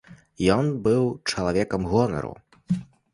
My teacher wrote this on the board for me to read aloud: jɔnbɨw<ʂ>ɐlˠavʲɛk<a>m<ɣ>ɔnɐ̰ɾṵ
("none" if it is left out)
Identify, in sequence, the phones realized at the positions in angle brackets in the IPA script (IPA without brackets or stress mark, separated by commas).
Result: t͡ʂ, ɐ, ɣ